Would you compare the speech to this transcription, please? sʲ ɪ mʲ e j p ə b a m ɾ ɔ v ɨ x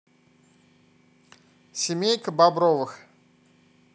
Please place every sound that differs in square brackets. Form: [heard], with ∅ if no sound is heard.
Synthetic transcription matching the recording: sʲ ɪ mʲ e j [k] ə b a [b] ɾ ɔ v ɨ x